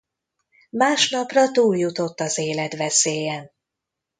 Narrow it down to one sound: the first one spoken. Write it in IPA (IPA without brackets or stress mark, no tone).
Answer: m